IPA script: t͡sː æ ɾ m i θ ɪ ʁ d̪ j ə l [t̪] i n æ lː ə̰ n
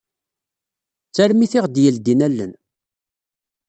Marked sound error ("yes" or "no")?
yes